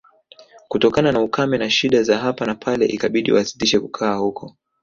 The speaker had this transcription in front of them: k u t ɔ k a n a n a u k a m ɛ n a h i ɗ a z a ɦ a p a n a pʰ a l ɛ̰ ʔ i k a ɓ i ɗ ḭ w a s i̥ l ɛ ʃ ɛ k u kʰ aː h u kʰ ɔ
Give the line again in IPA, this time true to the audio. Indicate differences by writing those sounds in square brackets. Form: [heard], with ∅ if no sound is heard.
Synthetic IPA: k u t ɔ k a n a n a u k a m ɛ n a [ʃ] i ɗ a z a ɦ a p a n a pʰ a l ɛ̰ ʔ i k a ɓ i ɗ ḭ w a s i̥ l [i] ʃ ɛ k u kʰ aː h u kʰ ɔ